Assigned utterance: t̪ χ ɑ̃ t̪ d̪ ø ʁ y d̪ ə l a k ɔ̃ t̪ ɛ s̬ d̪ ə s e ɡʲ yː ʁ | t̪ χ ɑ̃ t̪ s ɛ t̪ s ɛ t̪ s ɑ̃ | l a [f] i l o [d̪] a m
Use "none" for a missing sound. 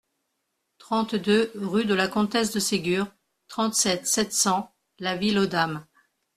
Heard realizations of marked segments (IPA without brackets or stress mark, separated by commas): v, d̪